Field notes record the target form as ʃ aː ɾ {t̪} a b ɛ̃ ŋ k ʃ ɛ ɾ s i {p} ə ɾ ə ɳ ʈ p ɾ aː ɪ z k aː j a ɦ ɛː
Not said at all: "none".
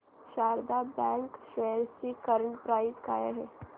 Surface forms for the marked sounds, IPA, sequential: d̪, k

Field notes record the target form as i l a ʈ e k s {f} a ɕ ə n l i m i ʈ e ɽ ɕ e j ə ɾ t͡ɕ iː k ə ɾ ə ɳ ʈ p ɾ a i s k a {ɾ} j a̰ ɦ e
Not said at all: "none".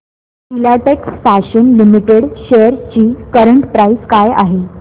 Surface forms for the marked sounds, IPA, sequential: f, none

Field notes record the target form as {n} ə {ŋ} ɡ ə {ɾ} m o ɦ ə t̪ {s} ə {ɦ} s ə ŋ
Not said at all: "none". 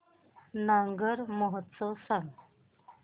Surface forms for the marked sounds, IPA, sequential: n, ŋ, ɾ, s, none

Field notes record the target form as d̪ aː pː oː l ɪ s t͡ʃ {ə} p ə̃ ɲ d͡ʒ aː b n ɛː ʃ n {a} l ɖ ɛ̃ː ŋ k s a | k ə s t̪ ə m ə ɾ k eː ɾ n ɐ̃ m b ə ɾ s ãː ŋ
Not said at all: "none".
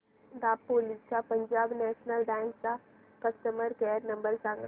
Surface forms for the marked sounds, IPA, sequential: a, ə

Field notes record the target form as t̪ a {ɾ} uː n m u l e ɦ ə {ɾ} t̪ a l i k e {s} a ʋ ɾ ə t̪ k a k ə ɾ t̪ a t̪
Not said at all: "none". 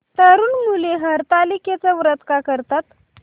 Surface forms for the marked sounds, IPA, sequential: ɾ, ɾ, t͡s

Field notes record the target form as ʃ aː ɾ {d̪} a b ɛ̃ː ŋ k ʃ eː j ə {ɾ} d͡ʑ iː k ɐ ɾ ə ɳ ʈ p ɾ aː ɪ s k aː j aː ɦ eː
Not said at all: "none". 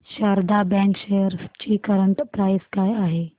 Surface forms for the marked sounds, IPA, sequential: d̪, ɾ

